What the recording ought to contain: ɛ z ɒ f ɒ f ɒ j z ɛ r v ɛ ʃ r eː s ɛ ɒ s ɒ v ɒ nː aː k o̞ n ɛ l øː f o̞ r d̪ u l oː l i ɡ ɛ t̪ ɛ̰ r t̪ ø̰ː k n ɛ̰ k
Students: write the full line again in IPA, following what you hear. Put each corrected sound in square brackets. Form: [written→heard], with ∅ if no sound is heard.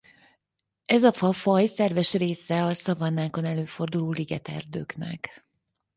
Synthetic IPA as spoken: ɛ z ɒ f ɒ f ɒ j [z→s] ɛ r v ɛ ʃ r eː s ɛ ɒ s ɒ v ɒ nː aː k o̞ n ɛ l øː f o̞ r d̪ u l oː l i ɡ ɛ t̪ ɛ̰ r [t̪→d̪] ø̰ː k n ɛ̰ k